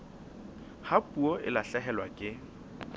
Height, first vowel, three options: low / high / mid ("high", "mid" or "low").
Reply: low